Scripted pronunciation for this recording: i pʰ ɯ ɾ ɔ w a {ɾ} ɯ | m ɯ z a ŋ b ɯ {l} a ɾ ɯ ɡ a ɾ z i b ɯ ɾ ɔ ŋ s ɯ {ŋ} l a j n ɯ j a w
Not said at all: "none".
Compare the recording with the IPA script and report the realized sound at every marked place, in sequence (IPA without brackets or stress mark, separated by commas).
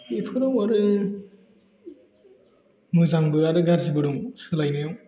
ɾ, none, none